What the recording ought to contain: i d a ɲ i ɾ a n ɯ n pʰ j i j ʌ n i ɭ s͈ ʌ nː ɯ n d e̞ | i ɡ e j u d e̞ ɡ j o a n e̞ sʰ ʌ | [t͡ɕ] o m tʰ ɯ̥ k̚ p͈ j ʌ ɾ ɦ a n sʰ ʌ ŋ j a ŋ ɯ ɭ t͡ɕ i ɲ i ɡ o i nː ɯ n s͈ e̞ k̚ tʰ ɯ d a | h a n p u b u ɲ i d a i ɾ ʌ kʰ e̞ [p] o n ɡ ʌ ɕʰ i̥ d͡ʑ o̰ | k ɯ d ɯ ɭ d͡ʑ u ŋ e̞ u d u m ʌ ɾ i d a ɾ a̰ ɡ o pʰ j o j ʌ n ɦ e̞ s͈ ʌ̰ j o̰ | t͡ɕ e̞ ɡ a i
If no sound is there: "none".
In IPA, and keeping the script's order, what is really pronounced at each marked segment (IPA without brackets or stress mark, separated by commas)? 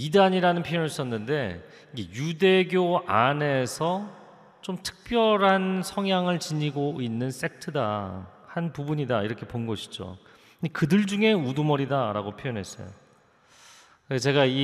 t͡ɕ, p